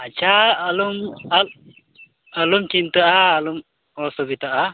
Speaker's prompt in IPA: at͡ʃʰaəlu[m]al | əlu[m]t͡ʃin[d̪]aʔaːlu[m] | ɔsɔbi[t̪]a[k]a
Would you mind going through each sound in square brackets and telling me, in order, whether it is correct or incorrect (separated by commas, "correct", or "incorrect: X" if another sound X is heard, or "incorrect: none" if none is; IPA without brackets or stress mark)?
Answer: correct, correct, incorrect: t̪, correct, correct, incorrect: ʔ